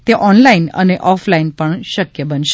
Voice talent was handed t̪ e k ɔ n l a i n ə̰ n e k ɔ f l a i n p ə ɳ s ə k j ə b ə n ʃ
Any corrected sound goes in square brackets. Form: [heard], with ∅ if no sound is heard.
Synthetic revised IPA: t̪ e [ʔ] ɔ n l a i n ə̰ n e [ʔ] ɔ f l a i n p ə ɳ [ʃ] ə k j ə b ə n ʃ